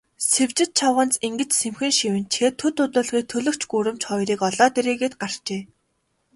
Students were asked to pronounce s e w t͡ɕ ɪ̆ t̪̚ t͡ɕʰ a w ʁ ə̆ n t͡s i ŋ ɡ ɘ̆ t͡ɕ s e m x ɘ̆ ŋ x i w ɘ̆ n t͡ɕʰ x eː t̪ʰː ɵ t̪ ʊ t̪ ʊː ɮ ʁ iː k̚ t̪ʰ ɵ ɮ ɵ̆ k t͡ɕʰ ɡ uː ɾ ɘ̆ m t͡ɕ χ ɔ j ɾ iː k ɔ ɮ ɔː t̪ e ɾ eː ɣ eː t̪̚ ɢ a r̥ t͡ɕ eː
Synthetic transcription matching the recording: s e w t͡ɕ ɪ̆ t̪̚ t͡ɕʰ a w ʁ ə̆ n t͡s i ŋ ɡ ɘ̆ t͡ɕ s e m x ɘ̆ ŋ ʃ i w ɘ̆ n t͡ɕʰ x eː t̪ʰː ɵ t̪ ʊ t̪ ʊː ɮ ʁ iː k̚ t̪ʰ ɵ ɮ ɵ̆ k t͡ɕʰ ɡ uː ɾ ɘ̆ m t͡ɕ χ ɔ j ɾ iː k ɔ ɮ ɔː t̪ e ɾ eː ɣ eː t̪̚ ɢ a r̥ t͡ɕ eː